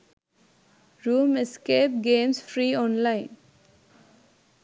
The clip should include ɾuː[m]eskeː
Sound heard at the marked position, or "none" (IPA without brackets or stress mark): m